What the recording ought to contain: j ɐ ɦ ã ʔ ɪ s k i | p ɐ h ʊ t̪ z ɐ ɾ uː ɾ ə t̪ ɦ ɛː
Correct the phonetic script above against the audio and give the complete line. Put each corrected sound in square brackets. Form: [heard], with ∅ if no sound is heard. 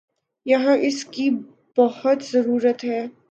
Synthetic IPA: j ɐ ɦ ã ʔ ɪ s k i | [b] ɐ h ʊ t̪ z ɐ ɾ uː ɾ ə t̪ ɦ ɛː